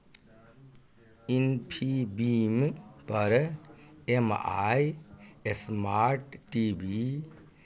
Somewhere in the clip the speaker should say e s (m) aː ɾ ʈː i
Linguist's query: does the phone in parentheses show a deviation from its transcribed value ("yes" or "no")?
no